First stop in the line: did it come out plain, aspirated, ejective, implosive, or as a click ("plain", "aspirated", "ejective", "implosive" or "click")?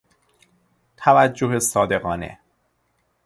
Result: aspirated